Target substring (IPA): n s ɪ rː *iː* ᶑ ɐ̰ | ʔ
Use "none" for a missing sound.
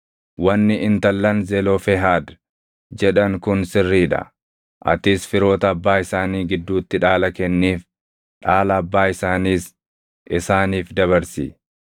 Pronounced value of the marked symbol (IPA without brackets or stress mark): iː